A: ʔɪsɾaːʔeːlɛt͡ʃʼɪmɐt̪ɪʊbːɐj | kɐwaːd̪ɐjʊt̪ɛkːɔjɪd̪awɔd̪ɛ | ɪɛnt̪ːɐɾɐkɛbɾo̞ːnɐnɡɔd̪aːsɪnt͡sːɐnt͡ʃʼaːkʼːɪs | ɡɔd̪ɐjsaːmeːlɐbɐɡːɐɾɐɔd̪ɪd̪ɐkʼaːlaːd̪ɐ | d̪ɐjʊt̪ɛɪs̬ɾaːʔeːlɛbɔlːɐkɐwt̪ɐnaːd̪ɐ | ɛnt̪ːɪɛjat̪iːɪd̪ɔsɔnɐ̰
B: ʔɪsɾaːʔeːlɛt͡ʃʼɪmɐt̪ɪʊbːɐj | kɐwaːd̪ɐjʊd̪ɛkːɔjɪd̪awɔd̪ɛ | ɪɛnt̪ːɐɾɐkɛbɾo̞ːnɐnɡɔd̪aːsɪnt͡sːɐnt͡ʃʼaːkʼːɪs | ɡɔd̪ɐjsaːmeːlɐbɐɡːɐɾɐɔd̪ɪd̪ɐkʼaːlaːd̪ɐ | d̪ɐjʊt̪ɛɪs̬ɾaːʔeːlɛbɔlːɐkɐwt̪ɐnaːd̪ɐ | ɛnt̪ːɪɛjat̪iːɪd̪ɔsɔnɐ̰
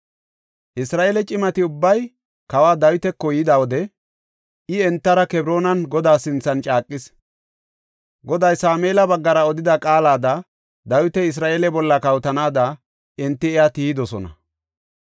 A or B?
A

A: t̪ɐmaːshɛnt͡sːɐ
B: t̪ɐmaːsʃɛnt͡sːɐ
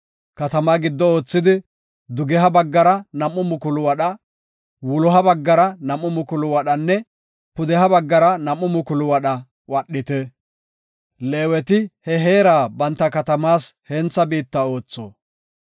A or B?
A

